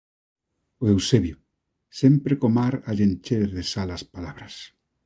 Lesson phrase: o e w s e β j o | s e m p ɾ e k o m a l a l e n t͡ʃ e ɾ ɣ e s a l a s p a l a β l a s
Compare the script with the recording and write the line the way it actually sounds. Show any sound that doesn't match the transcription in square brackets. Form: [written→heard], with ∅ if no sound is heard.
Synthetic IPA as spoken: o e w s e β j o | s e m p ɾ e k o m a [l→ɾ] a [l→ʎ] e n t͡ʃ e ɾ [ɣ→ð] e s a l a s p a l a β [l→ɾ] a s